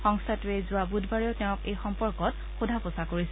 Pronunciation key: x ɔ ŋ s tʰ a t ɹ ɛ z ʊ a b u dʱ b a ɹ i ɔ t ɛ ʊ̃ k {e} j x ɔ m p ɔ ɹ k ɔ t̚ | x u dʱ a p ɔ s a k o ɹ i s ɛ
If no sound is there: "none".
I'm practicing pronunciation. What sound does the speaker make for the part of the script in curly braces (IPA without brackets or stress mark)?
e